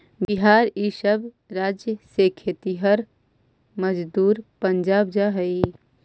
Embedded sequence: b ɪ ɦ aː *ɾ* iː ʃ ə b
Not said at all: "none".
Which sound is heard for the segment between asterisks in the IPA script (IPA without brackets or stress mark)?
ɾ